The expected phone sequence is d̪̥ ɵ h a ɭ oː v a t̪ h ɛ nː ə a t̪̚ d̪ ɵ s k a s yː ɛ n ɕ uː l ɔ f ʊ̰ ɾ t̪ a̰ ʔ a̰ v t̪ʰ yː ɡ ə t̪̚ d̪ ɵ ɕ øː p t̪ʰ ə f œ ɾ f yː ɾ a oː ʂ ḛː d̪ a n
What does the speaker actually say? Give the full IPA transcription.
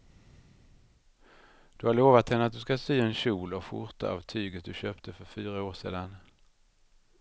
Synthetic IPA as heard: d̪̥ ɵ h a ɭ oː v a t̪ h ɛ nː ə a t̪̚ d̪ ɵ s k a s yː ɛ n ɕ uː l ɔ f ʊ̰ ɾ t̪ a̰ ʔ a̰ v t̪ʰ yː ɡ ə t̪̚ d̪ ɵ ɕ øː p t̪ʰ ə f œ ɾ f yː ɾ a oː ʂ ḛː d̪ a n